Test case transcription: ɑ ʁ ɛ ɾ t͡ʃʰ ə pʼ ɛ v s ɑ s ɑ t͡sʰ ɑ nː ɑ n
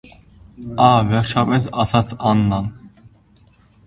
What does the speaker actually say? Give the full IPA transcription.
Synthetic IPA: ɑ v ɛ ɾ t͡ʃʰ ɑ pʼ ɛ s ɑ s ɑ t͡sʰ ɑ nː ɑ n